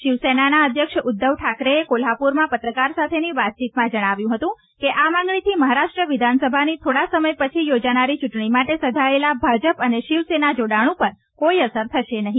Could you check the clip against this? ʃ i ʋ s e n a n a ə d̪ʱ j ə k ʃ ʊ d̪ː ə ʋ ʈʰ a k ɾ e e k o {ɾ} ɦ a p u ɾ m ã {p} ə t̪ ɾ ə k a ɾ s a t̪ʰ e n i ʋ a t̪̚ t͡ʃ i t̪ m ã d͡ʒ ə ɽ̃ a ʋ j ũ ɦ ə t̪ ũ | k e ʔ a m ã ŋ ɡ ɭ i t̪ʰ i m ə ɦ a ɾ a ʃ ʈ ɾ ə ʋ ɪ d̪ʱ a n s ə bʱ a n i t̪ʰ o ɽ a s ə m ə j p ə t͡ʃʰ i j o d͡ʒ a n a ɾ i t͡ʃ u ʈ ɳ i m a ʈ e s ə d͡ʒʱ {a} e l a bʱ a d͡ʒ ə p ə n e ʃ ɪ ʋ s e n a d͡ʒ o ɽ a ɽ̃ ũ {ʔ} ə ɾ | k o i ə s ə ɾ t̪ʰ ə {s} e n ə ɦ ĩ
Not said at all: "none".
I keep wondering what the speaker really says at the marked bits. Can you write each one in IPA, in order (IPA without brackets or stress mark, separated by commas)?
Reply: l, p, a, p, ʃ